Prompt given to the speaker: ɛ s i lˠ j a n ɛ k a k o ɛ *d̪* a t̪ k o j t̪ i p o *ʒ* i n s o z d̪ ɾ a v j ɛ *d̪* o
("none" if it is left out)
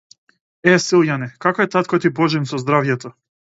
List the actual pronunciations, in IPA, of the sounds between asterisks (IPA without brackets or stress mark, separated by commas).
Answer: t̪, ʒ, t̪